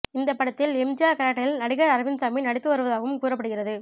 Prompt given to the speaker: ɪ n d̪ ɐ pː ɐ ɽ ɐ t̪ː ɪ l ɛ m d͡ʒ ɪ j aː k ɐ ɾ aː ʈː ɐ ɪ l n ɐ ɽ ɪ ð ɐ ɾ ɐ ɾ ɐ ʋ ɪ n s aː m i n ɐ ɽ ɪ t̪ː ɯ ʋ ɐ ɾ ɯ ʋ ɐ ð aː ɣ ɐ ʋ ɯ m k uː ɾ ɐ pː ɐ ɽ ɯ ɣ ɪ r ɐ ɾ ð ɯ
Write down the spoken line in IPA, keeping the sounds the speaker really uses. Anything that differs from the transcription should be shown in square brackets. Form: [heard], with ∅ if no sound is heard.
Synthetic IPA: ɪ n d̪ ɐ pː ɐ ɽ ɐ t̪ː ɪ l ɛ m d͡ʒ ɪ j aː k ɐ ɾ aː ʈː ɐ ɪ l n ɐ ɽ ɪ [ɣ] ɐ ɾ ɐ ɾ ɐ ʋ ɪ n s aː m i n ɐ ɽ ɪ t̪ː ɯ ʋ ɐ ɾ ɯ ʋ ɐ ð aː ɣ ɐ ʋ ɯ m k uː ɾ ɐ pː ɐ ɽ ɯ ɣ ɪ r ɐ [∅] ð ɯ